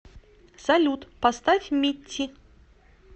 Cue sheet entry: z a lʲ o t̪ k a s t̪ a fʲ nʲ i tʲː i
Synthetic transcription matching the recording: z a lʲ u t̪ p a s t̪ a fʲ mʲ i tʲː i